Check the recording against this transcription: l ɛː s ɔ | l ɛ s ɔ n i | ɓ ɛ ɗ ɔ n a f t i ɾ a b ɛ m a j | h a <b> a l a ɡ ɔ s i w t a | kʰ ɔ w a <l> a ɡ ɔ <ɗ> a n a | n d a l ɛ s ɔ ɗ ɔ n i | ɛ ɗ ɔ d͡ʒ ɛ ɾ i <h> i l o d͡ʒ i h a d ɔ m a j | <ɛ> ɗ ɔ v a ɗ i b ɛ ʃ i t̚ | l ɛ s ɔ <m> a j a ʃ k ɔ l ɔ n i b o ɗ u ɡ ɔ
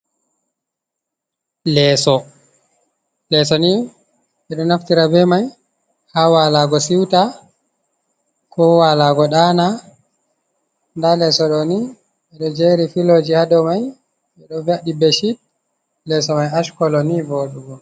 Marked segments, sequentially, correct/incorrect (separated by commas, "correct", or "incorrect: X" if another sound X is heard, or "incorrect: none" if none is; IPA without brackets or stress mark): incorrect: w, correct, correct, incorrect: f, correct, correct